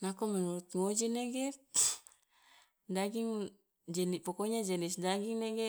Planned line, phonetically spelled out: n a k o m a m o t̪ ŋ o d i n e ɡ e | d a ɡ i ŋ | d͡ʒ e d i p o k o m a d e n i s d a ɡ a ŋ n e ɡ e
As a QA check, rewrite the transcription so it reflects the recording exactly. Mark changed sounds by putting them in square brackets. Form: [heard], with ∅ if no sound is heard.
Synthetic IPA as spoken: n a k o m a [n] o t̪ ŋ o [d͡ʒ] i n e ɡ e | d a ɡ i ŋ | d͡ʒ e [n] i p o k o [ɲ] a [d͡ʒ] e n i s d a ɡ [i] ŋ n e ɡ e